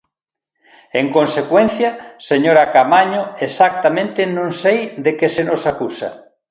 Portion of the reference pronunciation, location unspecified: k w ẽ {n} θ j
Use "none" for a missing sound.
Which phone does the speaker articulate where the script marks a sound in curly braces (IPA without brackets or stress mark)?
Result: n